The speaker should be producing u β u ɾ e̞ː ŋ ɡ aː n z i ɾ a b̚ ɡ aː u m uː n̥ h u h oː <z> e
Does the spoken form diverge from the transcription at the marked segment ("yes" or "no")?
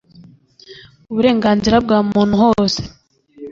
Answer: yes